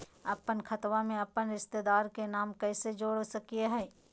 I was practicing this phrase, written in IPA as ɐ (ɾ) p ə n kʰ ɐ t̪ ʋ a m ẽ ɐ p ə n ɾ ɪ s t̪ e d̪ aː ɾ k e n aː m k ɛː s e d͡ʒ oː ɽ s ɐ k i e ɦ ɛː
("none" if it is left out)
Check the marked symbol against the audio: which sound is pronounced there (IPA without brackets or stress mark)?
none